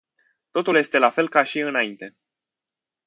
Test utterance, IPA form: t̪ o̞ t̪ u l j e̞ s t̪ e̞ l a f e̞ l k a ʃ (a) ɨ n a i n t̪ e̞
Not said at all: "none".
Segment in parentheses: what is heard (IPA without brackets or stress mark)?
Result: i